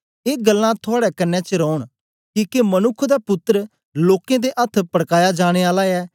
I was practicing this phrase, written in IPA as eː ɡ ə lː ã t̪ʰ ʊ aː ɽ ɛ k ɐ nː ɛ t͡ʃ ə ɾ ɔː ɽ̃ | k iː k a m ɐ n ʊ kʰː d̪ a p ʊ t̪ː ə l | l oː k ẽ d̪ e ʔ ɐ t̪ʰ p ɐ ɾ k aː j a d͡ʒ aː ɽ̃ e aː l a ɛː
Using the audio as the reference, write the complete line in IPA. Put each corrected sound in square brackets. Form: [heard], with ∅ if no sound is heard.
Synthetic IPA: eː ɡ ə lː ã t̪ʰ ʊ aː ɽ ɛ k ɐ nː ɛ t͡ʃ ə ɾ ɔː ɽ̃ | k iː k [e] m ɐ n ʊ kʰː d̪ a p ʊ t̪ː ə [ɾ] | l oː k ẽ d̪ e ʔ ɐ t̪ʰ p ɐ [ɽ] k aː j a d͡ʒ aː ɽ̃ e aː l a ɛː